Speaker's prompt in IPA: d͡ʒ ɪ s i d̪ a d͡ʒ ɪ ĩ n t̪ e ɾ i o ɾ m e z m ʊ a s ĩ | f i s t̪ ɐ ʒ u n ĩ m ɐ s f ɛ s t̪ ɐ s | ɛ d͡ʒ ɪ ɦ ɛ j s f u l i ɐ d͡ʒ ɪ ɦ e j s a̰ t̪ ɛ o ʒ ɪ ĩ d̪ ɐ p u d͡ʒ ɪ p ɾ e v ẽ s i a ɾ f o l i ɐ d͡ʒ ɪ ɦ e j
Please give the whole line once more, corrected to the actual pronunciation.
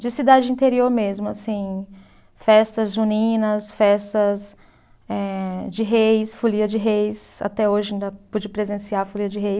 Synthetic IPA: d͡ʒ ɪ s i d̪ a d͡ʒ ɪ ĩ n t̪ e ɾ i o ɾ m e z m ʊ a s ĩ | f ɛ s t̪ ɐ z u n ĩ n ɐ s f ɛ s t̪ ɐ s | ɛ d͡ʒ ɪ ɦ e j s f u l i ɐ d͡ʒ ɪ ɦ e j s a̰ t̪ ɛ o ʒ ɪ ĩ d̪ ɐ p u d͡ʒ ɪ p ɾ e z ẽ s i a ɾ f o l i ɐ d͡ʒ ɪ ɦ e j

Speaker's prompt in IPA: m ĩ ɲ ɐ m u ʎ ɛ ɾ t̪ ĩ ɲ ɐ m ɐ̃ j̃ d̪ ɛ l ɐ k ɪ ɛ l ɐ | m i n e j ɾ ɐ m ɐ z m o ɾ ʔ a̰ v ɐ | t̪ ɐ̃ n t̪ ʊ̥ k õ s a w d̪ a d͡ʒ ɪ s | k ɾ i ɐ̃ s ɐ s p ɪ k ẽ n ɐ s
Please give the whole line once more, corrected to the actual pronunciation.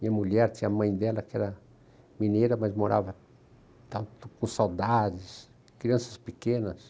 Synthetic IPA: m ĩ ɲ ɐ m u ʎ ɛ ɾ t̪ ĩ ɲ ɐ m ɐ̃ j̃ d̪ ɛ l ɐ k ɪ ɛ ɾ ɐ | m i n e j ɾ ɐ m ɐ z m o ɾ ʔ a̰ v ɐ | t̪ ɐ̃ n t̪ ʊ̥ k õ s a w d̪ a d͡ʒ ɪ s | k ɾ i ɐ̃ s ɐ s p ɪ k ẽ n ɐ s

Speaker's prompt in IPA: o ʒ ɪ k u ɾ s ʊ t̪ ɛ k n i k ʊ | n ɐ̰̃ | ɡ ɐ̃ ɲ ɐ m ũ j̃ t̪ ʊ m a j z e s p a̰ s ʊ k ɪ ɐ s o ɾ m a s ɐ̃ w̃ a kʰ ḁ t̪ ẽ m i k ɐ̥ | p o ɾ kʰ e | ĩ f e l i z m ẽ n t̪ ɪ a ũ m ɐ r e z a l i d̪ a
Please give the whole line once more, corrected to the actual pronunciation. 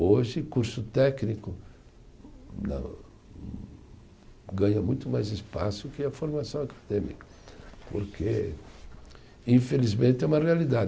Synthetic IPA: o ʒ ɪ k u ɾ s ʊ t̪ ɛ k n i k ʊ | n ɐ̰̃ | ɡ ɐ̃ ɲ ɐ m ũ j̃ t̪ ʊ m a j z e s p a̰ s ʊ k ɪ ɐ f o ɾ m a s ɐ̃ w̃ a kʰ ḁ d̪ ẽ m i k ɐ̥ | p o ɾ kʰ e | ĩ f e l i z m ẽ n t̪ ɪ ɛ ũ m ɐ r e a l i d̪ a

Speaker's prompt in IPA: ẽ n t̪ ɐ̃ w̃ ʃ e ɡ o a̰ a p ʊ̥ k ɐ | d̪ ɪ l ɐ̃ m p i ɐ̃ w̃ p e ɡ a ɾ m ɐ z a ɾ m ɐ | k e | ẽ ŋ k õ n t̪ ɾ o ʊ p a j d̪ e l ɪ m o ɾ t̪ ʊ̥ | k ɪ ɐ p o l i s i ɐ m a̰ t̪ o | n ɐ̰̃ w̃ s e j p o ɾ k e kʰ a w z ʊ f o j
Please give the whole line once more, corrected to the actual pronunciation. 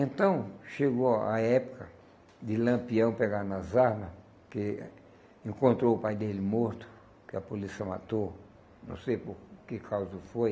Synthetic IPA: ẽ n t̪ ɐ̃ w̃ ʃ e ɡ o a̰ ɛ p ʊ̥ k ɐ | d̪ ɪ l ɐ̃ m p i ɐ̃ w̃ p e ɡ a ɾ n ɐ z a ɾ m ɐ | k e | ẽ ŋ k õ n t̪ ɾ o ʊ p a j d̪ e l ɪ m o ɾ t̪ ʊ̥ | k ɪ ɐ p o l i s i ɐ m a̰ t̪ o | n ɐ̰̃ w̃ s e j p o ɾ k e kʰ a w z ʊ f o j

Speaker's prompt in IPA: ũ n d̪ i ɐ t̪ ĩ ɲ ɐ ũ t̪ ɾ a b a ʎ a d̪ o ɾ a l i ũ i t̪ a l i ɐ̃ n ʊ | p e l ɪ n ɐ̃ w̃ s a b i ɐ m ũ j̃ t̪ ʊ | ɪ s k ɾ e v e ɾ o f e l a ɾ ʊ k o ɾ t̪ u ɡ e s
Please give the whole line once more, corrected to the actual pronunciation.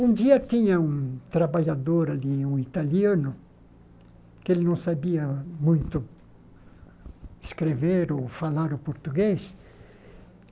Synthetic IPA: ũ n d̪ i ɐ t̪ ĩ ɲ ɐ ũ t̪ ɾ a b a ʎ a d̪ o ɾ a l i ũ i t̪ a l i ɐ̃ n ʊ | k e l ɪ n ɐ̃ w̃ s a b i ɐ m ũ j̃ t̪ ʊ | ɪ s k ɾ e v e ɾ o f a l a ɾ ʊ p o ɾ t̪ u ɡ e s

